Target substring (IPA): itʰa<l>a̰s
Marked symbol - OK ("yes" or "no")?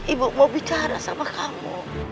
no